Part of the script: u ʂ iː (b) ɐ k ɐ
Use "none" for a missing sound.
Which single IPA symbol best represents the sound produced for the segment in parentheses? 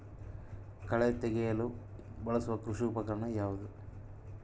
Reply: p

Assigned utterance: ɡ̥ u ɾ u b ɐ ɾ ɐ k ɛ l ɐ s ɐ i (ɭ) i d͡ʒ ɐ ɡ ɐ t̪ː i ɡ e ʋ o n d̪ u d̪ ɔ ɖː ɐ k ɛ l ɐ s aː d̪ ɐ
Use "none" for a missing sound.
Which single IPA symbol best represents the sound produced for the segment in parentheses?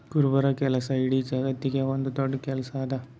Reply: ɽ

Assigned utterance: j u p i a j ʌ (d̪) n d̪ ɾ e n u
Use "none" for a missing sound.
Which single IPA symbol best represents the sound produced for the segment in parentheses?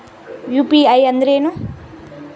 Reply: none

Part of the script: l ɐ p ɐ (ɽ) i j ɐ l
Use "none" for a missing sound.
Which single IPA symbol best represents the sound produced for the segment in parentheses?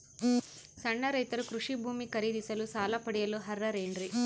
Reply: ɽ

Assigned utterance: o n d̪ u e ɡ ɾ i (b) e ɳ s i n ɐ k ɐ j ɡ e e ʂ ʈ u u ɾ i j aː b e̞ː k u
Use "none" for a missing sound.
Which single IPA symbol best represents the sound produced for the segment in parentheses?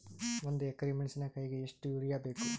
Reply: m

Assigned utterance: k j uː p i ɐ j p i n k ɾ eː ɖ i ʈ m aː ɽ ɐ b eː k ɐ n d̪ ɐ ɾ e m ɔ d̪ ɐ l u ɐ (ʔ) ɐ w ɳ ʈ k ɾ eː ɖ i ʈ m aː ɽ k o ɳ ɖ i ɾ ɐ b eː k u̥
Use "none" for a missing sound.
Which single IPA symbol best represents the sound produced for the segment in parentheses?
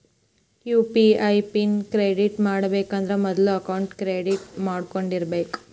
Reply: k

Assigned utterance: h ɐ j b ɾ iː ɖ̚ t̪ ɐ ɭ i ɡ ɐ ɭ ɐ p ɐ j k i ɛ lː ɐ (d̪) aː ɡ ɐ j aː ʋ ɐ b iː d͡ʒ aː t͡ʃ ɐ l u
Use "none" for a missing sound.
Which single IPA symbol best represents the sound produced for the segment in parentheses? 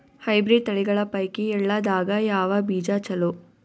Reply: d̪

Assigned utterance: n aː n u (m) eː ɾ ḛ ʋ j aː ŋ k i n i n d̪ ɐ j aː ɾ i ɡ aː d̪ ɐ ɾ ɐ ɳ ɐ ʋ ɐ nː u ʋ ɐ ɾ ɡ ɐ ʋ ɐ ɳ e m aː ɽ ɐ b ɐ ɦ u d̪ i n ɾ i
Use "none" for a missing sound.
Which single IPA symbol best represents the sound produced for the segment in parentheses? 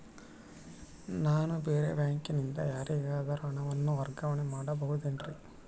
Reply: b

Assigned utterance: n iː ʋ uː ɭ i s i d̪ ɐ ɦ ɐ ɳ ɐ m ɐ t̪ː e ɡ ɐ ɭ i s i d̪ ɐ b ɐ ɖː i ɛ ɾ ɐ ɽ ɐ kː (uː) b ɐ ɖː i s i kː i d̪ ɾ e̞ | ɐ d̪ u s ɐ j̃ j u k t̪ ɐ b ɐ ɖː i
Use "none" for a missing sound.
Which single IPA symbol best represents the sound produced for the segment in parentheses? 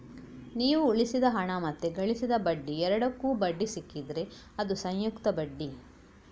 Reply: uː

